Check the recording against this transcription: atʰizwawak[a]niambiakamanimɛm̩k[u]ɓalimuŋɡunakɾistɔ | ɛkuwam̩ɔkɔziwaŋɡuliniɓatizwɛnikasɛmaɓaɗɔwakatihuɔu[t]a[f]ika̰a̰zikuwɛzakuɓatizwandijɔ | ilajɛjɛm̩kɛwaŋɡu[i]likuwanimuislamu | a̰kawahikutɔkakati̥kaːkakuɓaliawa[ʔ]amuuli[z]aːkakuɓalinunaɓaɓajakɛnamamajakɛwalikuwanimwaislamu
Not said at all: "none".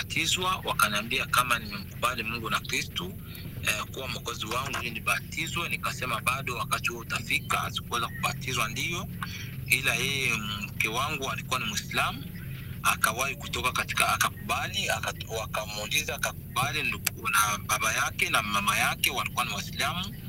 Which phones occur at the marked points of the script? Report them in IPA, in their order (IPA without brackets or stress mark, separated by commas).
a, u, t, f, a, k, z